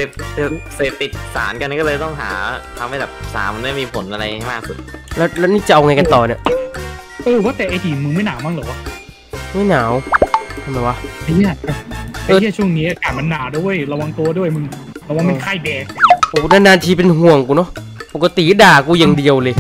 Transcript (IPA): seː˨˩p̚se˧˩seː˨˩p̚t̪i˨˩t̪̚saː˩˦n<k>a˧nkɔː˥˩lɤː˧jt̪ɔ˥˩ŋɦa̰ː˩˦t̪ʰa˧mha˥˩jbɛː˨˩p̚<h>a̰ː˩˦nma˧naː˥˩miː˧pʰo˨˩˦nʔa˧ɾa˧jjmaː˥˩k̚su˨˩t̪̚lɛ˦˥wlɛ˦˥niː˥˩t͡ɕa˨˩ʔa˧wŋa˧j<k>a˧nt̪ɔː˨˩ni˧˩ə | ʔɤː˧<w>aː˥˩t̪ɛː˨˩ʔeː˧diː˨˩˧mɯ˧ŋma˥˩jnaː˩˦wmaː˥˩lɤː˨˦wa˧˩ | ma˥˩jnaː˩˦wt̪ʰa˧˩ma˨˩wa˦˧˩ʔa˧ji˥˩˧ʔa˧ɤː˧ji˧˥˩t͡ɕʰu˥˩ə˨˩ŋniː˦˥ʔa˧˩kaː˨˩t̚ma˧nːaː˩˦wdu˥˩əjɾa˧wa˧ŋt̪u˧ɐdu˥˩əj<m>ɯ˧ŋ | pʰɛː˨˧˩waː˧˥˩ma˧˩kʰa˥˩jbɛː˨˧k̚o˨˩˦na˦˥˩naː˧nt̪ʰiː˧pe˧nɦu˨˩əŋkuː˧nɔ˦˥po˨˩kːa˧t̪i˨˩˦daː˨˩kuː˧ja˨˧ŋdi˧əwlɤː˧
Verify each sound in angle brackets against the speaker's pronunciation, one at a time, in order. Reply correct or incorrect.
correct, incorrect: s, correct, correct, correct

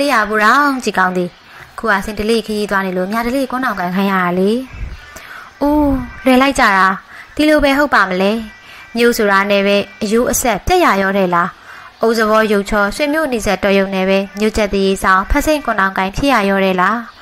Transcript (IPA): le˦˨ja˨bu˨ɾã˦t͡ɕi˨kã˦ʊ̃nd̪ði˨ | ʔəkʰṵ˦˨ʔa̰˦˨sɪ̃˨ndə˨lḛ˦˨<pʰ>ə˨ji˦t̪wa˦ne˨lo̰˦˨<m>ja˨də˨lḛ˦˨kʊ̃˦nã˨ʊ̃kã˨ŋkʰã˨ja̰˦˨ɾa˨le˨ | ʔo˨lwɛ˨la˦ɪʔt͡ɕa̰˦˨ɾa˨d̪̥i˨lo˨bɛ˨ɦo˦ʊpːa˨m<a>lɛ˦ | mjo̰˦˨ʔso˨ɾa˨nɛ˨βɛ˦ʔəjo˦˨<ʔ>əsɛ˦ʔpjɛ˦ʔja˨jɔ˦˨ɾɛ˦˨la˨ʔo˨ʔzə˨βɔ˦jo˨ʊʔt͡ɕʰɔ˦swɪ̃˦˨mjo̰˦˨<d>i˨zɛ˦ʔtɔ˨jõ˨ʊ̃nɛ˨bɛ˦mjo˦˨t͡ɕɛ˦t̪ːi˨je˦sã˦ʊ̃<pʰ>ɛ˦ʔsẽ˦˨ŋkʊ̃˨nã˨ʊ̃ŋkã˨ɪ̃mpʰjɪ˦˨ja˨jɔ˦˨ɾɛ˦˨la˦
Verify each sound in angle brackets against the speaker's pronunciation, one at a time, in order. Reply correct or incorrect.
incorrect: kʰ, correct, incorrect: ə, correct, incorrect: n, correct

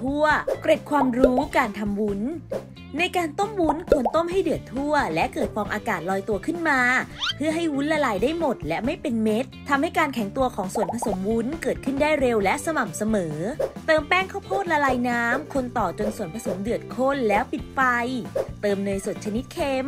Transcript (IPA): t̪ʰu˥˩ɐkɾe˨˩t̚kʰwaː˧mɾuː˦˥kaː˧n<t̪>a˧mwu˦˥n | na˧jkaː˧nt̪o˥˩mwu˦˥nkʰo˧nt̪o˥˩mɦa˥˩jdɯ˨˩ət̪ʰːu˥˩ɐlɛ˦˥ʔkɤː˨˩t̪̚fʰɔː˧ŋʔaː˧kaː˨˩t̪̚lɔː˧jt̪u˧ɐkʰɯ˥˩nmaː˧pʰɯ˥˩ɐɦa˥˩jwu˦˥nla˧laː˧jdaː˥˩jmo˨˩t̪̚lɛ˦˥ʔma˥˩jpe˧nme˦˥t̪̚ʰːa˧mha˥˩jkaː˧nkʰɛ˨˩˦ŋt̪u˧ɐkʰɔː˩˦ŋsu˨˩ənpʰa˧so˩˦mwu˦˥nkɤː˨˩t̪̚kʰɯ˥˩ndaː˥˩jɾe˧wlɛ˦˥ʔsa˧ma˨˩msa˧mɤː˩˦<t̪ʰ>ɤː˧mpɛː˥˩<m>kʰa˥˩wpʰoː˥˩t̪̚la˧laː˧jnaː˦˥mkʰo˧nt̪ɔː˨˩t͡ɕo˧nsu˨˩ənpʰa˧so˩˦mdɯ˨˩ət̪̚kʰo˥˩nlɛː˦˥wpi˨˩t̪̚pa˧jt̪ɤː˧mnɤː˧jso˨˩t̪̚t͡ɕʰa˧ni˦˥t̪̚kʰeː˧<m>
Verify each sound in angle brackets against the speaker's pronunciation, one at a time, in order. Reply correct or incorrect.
incorrect: t̪ʰ, incorrect: t̪, incorrect: ŋ, correct

